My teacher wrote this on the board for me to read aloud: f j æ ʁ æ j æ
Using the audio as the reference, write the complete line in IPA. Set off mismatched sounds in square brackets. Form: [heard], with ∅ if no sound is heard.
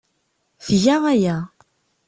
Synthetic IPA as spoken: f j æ ʁ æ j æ